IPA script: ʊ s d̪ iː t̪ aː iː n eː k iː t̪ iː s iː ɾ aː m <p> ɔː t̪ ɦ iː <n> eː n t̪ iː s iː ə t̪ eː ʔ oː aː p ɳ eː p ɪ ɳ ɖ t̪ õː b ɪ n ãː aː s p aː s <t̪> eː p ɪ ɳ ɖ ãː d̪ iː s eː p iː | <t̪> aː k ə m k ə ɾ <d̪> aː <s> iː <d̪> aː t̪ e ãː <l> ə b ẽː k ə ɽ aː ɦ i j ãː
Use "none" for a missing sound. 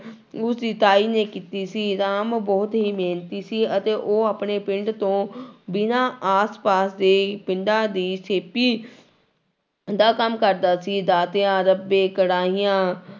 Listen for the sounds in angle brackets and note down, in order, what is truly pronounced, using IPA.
b, m, d̪, d̪, d̪, s, d̪, ɾ

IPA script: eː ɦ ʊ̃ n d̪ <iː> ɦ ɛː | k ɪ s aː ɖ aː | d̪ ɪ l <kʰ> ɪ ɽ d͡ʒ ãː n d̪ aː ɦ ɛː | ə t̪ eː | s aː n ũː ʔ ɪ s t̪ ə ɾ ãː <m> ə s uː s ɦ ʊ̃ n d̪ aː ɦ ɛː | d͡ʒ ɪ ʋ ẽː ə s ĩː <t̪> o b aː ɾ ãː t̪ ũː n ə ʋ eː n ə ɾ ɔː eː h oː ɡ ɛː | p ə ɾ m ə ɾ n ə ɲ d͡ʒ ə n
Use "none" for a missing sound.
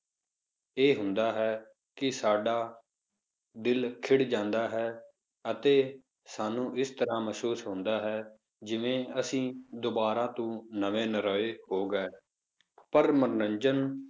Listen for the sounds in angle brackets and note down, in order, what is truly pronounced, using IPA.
aː, kʰ, m, d̪

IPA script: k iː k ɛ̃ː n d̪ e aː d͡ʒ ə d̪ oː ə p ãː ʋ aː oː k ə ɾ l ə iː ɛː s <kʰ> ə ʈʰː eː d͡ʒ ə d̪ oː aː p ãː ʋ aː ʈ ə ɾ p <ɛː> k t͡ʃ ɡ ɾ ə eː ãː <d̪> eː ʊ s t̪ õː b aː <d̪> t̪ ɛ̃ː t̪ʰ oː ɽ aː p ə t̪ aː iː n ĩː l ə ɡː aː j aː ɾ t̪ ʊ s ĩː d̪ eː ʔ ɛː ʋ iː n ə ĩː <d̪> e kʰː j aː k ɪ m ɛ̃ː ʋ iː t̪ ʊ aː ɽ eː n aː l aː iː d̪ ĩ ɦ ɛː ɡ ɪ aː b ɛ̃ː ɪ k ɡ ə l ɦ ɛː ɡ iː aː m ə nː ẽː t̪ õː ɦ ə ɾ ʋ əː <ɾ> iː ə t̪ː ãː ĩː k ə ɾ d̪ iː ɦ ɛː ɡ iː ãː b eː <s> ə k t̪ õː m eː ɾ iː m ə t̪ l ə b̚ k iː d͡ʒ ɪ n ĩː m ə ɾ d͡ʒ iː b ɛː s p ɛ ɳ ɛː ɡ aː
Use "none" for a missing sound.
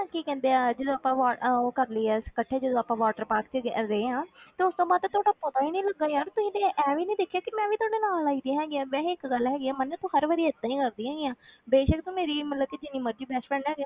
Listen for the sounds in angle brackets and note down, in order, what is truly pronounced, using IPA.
k, aː, t̪, d̪, d̪, ɾ, ʃ

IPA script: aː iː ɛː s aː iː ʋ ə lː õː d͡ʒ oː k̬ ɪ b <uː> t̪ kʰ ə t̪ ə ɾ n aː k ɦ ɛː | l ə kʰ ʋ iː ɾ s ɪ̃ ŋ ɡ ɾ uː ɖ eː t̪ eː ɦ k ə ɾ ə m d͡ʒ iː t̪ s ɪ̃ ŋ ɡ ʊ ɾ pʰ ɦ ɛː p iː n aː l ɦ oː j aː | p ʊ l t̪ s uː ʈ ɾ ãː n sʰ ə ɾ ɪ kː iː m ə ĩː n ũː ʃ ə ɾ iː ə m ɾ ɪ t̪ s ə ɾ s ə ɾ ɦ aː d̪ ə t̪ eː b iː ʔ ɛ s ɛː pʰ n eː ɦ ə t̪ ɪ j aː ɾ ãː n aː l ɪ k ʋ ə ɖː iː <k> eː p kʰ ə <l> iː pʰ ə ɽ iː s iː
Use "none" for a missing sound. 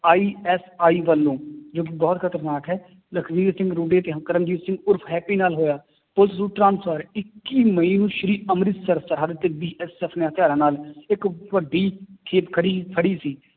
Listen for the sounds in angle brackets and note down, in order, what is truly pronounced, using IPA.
ɔː, kʰ, ɽ

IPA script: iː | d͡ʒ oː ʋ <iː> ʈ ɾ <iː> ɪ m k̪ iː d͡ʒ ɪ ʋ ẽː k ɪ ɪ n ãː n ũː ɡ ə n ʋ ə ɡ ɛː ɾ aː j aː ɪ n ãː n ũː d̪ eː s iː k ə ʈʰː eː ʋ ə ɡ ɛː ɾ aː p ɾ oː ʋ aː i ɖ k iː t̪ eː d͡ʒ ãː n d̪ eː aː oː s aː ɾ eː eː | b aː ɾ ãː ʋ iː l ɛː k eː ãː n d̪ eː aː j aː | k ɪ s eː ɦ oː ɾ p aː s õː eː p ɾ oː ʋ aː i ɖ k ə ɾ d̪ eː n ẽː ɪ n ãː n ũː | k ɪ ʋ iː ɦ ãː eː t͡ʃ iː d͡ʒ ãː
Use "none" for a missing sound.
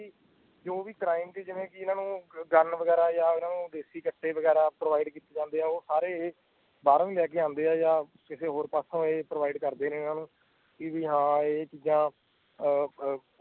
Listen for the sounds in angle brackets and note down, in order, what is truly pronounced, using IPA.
iː, aː

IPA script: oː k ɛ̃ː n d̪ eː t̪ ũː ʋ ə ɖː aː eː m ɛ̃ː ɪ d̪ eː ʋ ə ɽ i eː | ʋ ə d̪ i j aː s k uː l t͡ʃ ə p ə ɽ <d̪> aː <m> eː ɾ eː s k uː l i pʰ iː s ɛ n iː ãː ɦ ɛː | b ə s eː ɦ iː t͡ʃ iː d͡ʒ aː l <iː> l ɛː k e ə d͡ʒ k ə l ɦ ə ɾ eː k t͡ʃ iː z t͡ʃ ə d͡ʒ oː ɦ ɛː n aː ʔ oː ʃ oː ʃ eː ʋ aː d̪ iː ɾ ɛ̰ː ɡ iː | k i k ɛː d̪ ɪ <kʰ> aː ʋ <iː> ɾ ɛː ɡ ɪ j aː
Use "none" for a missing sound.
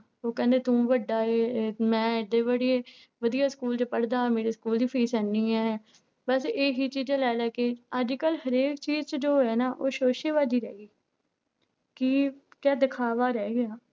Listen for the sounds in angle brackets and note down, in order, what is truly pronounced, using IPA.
d̪, m, ɛː, kʰ, aː

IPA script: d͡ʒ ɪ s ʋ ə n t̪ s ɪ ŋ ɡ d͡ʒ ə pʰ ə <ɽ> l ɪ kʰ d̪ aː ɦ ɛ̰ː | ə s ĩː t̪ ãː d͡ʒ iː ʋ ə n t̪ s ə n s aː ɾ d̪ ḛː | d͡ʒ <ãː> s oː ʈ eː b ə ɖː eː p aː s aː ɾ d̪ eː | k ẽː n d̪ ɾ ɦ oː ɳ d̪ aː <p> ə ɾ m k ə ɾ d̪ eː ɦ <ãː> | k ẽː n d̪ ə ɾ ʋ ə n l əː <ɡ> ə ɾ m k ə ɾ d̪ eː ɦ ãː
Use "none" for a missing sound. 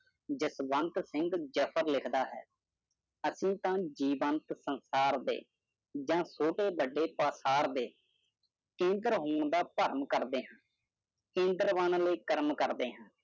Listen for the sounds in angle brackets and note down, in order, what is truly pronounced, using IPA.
ɾ, ãː, p, ãː, k

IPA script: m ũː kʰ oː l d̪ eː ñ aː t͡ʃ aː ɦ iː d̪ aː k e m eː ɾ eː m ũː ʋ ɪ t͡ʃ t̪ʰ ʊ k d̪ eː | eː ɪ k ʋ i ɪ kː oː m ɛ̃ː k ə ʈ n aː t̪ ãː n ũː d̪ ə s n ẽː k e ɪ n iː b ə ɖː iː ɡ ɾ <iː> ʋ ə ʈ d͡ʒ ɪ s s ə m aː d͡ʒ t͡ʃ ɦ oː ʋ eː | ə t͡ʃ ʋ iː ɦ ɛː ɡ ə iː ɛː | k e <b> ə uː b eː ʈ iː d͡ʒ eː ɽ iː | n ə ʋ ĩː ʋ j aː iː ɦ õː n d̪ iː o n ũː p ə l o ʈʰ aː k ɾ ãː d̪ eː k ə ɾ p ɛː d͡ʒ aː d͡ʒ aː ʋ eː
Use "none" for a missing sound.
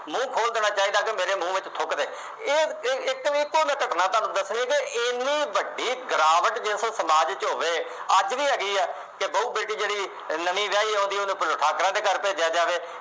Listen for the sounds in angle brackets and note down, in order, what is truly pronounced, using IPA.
aː, b

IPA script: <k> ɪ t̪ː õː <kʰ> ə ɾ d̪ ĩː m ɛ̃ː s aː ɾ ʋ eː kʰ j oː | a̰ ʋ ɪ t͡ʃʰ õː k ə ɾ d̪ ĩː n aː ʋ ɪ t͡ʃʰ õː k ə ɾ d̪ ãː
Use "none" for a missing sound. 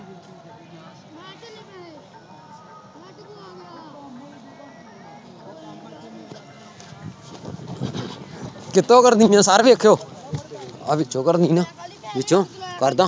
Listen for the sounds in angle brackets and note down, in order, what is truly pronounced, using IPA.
k, k

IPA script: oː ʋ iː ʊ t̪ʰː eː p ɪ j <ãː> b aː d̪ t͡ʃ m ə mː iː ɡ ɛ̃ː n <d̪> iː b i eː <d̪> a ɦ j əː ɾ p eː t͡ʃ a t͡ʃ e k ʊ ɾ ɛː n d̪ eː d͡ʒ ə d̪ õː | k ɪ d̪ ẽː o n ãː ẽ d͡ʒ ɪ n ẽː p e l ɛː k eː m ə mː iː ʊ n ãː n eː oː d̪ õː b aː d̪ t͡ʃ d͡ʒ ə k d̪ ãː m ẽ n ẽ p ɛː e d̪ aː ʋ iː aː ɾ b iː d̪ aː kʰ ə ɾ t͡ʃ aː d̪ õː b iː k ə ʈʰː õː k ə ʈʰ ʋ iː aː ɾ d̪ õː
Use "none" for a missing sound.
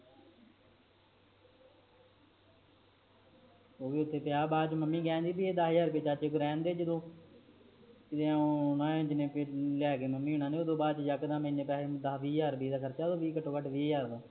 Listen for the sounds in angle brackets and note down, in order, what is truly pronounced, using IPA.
aː, d̪, d̪

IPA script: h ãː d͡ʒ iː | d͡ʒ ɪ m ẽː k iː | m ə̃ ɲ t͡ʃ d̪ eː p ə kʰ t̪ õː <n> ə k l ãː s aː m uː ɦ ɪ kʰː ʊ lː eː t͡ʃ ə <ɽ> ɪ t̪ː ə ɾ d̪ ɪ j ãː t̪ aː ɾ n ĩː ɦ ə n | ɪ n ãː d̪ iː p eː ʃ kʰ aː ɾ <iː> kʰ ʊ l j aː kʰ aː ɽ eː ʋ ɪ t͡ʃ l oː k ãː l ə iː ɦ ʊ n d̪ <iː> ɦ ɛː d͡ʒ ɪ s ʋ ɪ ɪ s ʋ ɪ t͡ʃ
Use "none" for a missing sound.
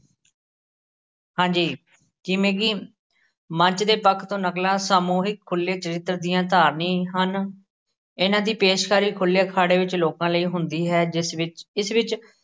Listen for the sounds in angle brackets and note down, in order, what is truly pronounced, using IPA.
n, ɾ, iː, iː

